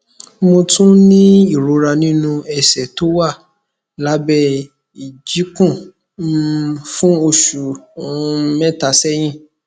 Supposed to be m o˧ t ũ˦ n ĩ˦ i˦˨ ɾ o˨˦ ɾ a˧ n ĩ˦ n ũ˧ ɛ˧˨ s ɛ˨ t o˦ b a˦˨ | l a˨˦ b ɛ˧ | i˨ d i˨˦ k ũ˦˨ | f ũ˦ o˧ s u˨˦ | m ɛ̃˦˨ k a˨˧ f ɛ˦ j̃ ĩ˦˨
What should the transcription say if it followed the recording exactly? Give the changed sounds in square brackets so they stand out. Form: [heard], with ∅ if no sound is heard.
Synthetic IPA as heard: m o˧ t ũ˦ n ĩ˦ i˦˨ ɾ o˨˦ ɾ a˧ n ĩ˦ n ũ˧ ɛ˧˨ s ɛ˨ t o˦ [w] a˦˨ | l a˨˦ b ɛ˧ | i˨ [d͡ʒ] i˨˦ k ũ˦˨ | f ũ˦ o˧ [ʃ] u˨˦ | m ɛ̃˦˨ [t] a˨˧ [s] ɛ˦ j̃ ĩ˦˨